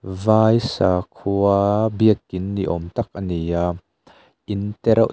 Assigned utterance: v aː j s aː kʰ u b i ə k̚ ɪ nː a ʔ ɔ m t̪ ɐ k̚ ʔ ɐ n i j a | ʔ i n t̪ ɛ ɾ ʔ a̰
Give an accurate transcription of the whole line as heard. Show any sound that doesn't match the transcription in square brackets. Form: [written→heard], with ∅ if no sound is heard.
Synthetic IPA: v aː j s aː kʰ u b i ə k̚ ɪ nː [a→i] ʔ ɔ m t̪ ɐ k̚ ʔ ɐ n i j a | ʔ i n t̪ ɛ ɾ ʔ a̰